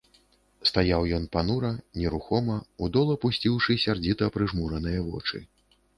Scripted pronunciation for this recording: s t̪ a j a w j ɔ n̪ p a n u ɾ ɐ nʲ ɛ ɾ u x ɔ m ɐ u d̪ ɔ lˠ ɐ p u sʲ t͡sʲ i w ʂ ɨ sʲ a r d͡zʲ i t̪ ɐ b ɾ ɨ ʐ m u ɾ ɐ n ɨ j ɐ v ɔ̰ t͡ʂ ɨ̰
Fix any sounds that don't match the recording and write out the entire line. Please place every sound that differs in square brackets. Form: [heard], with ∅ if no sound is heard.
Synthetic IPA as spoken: s t̪ a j a w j ɔ n̪ p a n u ɾ ɐ nʲ ɛ ɾ u x ɔ m ɐ u d̪ ɔ lˠ ɐ p u sʲ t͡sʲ i w ʂ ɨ sʲ a r d͡zʲ i t̪ ɐ [p] ɾ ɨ ʐ m u ɾ ɐ n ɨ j ɐ v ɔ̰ t͡ʂ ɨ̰